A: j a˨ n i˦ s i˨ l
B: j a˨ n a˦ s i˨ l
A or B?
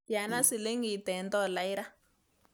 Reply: B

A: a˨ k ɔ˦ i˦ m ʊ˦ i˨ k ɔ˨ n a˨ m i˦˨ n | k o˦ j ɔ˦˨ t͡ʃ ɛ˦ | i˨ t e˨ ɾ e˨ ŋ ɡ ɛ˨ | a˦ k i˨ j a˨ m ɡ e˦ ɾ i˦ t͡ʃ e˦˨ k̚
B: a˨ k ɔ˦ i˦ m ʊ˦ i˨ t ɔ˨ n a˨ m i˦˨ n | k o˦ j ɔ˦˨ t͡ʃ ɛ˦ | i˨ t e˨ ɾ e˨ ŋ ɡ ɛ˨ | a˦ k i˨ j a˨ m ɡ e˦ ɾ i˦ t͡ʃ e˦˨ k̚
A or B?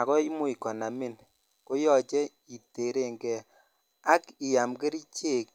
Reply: A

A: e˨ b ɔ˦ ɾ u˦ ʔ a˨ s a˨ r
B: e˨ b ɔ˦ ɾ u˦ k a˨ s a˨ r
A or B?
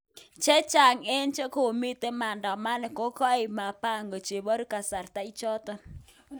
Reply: B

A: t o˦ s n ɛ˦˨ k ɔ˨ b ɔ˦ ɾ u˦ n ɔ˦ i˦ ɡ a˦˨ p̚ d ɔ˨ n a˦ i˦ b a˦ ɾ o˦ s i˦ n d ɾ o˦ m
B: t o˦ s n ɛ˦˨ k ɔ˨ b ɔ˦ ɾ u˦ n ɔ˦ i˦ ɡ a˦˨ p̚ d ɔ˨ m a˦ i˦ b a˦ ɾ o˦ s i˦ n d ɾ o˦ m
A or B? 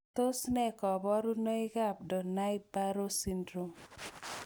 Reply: A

